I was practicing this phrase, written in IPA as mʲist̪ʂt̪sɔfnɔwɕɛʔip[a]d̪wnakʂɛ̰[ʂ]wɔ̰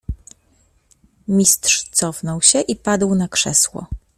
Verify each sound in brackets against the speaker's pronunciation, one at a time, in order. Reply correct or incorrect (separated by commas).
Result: correct, incorrect